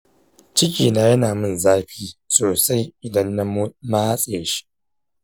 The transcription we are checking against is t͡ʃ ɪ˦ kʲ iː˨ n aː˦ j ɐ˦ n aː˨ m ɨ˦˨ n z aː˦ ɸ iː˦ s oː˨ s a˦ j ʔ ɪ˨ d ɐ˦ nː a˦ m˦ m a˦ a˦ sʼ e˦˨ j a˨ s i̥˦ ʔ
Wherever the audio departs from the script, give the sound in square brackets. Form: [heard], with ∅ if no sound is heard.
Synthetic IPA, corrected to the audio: t͡ʃ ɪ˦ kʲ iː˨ n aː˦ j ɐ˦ n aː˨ m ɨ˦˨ n z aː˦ ɸ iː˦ s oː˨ s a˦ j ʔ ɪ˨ d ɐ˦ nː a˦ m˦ m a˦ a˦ sʼ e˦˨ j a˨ [ʃ] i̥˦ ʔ